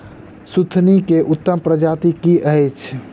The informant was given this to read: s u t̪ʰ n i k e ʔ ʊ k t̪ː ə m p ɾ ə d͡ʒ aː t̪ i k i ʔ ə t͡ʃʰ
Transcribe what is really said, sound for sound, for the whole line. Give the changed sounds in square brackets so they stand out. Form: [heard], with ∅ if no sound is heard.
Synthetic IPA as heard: s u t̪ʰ n i k e ʔ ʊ [∅] t̪ː ə m p ɾ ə d͡ʒ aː t̪ i k i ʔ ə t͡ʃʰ